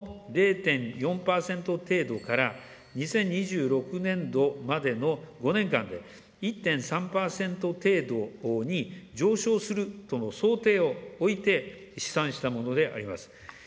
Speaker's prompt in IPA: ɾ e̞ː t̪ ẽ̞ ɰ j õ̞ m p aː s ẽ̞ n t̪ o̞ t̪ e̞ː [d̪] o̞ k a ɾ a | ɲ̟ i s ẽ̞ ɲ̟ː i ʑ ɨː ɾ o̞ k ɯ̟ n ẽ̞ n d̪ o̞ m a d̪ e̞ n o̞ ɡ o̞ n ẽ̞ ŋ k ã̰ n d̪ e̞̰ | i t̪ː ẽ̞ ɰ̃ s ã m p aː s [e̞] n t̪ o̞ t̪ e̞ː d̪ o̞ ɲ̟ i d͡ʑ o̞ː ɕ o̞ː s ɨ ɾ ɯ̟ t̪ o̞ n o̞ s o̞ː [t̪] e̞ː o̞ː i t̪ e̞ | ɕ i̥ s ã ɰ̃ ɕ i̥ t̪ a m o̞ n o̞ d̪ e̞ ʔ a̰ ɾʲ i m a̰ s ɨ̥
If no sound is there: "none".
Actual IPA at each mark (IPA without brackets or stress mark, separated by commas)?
d̪, ẽ̞, t̪